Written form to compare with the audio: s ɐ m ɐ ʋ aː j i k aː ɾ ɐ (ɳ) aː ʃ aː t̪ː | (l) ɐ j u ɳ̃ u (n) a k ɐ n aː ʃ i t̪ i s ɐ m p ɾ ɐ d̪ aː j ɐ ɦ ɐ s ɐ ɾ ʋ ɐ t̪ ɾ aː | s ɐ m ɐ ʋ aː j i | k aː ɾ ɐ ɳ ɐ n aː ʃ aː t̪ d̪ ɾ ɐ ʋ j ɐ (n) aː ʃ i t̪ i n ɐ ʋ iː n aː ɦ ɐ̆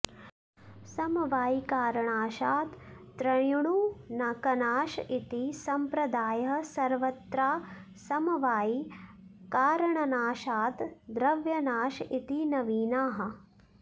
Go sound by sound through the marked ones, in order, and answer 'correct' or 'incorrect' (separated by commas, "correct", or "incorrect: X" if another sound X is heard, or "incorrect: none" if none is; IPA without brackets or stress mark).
correct, incorrect: ɾ, correct, correct